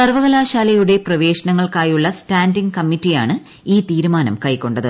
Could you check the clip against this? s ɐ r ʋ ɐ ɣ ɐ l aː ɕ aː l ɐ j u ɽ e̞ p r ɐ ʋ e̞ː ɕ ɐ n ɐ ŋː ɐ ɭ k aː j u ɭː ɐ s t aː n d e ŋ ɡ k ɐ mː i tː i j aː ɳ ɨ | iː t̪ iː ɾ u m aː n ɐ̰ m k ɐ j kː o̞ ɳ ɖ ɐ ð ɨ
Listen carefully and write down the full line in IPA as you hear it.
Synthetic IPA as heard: s ɐ r ʋ ɐ ɣ ɐ l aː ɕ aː l ɐ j u ɽ e̞ p r ɐ ʋ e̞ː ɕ ɐ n ɐ ŋː ɐ ɭ k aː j u ɭː ɐ s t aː n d i ŋ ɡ k ɐ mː i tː i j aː ɳ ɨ | iː t̪ iː ɾ u m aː n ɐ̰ m k ɐ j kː o̞ ɳ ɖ ɐ ð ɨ

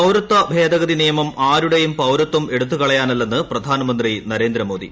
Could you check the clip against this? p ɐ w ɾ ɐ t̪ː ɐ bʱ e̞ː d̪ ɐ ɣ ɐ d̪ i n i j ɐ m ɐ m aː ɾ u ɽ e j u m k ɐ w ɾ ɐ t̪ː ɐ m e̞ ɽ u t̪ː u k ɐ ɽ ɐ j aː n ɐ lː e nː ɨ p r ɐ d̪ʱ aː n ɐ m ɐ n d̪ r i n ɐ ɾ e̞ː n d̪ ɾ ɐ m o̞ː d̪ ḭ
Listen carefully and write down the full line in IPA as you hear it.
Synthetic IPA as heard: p ɐ w ɾ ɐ t̪ː ɐ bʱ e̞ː d̪ ɐ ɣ ɐ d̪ i n i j ɐ m ɐ m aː ɾ u ɽ e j u m p ɐ w ɾ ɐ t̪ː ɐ m e̞ ɽ u t̪ː u k ɐ ɭ ɐ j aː n ɐ lː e nː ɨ p r ɐ d̪ʱ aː n ɐ m ɐ n d̪ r i n ɐ ɾ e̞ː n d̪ ɾ ɐ m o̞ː d̪ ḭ

